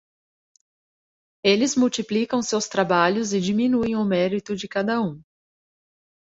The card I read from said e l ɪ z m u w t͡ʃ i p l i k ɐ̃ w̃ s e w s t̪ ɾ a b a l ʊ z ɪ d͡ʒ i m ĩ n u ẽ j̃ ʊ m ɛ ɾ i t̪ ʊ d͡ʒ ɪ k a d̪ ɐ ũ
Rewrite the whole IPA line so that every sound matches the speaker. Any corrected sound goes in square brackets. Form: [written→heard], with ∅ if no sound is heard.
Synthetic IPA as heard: e l ɪ z m u w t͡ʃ i p l i k ɐ̃ w̃ s e w s t̪ ɾ a b a [l→ʎ] ʊ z ɪ d͡ʒ i m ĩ n u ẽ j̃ ʊ m ɛ ɾ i t̪ ʊ d͡ʒ ɪ k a d̪ ɐ ũ